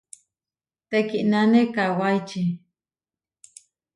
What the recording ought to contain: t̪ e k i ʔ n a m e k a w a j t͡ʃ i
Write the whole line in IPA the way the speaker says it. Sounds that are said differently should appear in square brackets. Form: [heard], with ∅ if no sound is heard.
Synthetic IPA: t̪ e k i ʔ n a [n] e k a w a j t͡ʃ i